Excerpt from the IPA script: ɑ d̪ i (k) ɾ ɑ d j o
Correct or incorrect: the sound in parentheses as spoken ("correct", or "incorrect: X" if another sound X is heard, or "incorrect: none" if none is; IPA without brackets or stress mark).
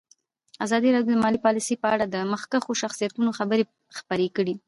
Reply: incorrect: none